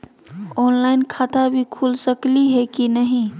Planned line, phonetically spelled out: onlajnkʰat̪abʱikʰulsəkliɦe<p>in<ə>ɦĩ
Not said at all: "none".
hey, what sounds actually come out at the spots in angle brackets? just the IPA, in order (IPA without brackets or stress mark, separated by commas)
k, ə